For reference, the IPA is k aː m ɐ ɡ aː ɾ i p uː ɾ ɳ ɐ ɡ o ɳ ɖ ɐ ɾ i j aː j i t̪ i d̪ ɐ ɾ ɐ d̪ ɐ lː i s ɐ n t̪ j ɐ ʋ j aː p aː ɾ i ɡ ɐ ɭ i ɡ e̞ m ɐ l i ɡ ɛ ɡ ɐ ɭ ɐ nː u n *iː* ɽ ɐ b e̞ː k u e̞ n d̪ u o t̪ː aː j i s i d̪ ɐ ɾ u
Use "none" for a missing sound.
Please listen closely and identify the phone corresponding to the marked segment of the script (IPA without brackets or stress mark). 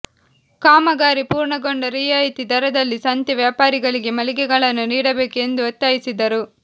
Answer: iː